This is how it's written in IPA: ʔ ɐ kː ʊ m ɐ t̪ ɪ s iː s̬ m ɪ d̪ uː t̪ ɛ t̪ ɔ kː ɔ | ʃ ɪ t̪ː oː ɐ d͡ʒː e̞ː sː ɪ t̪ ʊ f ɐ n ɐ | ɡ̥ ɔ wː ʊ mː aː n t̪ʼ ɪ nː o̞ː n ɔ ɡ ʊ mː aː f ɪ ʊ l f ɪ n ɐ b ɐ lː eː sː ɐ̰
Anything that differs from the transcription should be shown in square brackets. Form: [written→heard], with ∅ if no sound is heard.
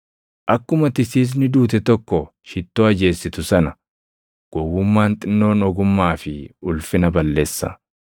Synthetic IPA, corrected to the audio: ʔ ɐ kː ʊ m ɐ t̪ ɪ s iː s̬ [m→n] ɪ d̪ uː t̪ ɛ t̪ ɔ kː ɔ | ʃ ɪ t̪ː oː ɐ [d͡ʒː→d͡ʒ] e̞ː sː ɪ t̪ ʊ [f→s] ɐ n ɐ | ɡ̥ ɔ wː ʊ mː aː n t̪ʼ ɪ nː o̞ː n ɔ ɡ ʊ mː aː f ɪ ʊ l f ɪ n ɐ b ɐ lː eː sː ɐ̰